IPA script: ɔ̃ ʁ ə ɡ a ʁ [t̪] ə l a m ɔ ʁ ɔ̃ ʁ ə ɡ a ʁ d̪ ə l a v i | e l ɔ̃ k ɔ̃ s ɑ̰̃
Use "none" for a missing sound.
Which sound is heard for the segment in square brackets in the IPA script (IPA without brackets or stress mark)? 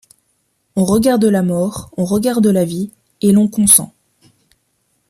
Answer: d̪